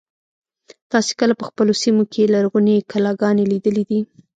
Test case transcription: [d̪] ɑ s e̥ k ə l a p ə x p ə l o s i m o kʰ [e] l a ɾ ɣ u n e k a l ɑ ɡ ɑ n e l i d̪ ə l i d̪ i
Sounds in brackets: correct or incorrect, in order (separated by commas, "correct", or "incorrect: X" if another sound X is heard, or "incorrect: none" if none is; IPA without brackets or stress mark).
incorrect: t̪, correct